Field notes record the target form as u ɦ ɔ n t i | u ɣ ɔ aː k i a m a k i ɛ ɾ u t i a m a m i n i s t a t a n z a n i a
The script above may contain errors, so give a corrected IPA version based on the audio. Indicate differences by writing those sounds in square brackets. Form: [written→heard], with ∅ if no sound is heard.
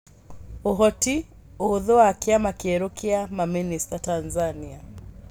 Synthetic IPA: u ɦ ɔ [n→∅] t i | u [ɣ→ð] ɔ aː k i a m a k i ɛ ɾ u [t→k] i a m a m i n i s t a t a n z a n i a